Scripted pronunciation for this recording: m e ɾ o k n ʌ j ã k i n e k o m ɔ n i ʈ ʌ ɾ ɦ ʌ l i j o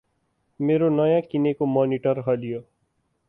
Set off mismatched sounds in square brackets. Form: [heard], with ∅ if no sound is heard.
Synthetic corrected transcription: m e ɾ o [∅] n ʌ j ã k i n e k o m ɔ n i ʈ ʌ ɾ ɦ ʌ l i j o